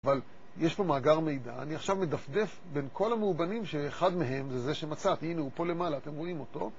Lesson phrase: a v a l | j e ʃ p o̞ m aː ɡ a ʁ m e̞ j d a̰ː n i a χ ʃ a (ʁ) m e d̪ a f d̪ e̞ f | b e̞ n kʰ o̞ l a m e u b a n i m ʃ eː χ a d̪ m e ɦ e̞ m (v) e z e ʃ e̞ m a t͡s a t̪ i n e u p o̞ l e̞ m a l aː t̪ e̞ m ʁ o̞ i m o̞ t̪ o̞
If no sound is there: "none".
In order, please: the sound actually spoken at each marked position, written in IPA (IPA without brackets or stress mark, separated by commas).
v, z